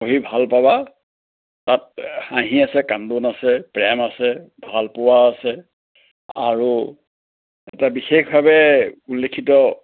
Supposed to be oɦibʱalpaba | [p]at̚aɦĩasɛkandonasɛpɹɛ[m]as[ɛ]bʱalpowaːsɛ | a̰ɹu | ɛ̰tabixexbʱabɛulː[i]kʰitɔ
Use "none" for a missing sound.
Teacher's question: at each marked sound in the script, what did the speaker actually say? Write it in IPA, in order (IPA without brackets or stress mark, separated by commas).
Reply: t, m, ɛ, e